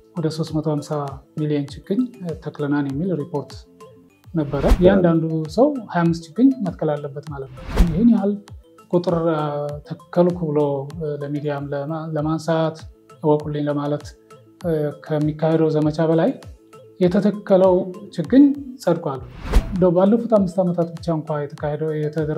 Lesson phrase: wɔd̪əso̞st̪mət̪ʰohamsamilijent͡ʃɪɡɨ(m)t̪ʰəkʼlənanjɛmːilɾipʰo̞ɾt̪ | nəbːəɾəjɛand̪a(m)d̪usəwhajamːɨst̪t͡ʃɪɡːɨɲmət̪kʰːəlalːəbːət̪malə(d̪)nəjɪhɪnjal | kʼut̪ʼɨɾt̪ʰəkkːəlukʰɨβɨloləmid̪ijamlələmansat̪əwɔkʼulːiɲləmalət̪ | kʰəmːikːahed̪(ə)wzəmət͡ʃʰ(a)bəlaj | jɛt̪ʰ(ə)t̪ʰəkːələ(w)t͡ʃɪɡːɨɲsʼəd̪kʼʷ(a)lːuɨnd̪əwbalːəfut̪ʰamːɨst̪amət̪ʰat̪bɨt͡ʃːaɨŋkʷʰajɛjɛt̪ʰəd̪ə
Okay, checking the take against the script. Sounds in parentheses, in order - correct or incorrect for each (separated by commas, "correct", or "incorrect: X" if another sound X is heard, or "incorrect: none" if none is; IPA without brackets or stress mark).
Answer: incorrect: ɲ, incorrect: n, incorrect: t̪, correct, correct, correct, correct, correct